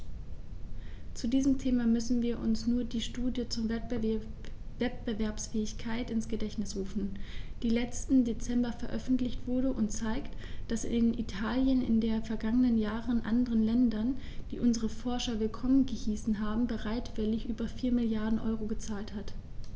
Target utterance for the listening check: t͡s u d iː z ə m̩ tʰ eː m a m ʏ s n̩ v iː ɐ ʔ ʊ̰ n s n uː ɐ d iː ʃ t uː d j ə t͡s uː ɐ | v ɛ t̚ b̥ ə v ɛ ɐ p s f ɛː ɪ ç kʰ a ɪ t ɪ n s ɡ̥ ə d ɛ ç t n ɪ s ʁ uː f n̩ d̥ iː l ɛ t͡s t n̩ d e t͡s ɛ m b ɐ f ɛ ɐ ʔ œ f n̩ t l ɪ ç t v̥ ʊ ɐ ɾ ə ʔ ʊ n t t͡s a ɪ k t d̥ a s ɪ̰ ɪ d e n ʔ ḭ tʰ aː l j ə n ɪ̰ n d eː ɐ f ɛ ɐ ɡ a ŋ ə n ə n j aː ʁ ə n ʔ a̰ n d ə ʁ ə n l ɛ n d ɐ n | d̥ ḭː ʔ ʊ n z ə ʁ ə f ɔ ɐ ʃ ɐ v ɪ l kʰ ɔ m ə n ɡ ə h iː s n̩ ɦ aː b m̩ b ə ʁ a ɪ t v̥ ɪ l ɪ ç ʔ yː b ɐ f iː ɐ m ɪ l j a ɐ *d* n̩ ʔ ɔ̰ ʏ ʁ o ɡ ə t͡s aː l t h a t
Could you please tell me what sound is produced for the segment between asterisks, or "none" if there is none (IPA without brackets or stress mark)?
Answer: d